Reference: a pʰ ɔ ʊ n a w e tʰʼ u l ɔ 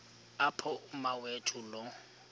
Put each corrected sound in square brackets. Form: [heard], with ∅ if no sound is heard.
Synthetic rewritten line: a pʰ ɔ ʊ [m] a w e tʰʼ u l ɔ